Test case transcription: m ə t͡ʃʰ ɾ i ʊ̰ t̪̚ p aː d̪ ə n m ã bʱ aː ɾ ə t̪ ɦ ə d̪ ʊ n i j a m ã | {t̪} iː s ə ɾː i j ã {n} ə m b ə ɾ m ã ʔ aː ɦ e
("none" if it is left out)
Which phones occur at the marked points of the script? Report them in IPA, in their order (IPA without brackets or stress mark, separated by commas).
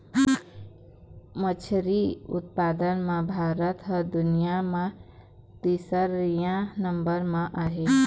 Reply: t̪, n